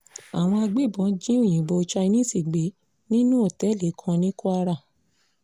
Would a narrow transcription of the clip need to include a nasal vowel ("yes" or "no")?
yes